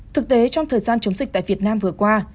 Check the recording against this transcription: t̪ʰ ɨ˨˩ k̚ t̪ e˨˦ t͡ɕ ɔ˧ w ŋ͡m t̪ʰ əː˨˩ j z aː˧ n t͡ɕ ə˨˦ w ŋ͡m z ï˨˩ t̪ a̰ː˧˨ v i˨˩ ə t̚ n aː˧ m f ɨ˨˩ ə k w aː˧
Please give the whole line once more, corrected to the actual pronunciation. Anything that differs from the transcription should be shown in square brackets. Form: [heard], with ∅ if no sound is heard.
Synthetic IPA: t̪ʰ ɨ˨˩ k̚ t̪ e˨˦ t͡ɕ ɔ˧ w ŋ͡m t̪ʰ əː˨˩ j z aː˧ n t͡ɕ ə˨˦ w ŋ͡m z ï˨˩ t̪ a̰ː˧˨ v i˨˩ ə t̚ n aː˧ m [v] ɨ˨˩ ə k w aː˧